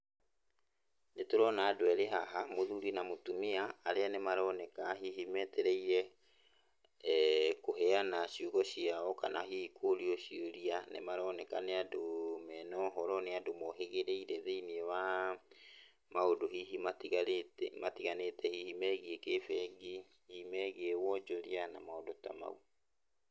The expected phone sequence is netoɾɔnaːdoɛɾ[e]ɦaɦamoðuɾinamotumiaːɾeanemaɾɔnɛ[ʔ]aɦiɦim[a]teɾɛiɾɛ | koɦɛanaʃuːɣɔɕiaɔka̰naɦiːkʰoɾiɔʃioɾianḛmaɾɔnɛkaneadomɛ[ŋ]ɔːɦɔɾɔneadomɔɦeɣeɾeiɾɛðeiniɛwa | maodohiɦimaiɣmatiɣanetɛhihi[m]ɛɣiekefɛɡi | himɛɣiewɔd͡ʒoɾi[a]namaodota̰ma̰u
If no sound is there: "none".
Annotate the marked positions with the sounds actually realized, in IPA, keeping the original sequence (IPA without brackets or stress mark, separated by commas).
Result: e, k, ɛ, n, m, a